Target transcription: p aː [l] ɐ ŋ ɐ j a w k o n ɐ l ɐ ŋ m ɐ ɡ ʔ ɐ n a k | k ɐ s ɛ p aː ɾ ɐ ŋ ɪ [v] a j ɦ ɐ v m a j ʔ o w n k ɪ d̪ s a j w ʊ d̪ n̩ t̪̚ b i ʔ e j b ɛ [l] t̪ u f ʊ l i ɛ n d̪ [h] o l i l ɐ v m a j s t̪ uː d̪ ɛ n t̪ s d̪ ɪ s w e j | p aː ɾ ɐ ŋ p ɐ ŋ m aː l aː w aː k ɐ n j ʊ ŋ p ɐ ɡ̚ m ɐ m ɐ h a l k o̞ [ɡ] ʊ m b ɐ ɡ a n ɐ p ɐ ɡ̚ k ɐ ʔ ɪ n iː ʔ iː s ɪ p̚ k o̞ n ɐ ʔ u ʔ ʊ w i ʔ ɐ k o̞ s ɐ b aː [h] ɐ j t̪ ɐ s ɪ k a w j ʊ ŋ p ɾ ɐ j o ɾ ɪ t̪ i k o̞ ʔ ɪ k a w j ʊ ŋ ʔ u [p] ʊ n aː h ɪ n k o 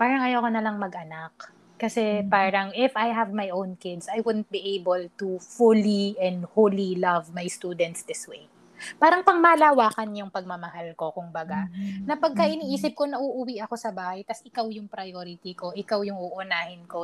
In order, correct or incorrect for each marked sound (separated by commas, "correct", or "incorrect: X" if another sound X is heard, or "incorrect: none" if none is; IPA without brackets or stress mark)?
incorrect: ɾ, incorrect: f, correct, correct, incorrect: k, correct, incorrect: ʔ